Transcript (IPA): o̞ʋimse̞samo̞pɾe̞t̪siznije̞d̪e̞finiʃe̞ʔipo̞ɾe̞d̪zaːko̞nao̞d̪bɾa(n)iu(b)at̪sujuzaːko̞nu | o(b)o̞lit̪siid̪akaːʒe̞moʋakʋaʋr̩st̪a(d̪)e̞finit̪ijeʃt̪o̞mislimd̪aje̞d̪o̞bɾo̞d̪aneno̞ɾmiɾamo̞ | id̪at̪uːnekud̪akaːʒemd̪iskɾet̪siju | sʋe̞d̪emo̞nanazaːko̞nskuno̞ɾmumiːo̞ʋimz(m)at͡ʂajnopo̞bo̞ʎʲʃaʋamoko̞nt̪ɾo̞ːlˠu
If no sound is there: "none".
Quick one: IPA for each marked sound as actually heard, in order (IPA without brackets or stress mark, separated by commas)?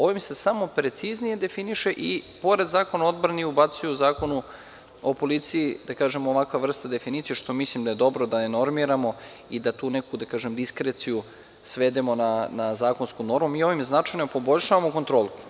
n, b, p, d̪, n